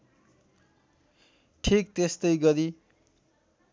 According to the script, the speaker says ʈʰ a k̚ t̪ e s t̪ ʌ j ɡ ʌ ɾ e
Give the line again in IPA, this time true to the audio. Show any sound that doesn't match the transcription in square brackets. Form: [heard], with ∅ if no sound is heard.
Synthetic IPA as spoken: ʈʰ [i] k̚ t̪ e s t̪ ʌ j ɡ ʌ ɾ [i]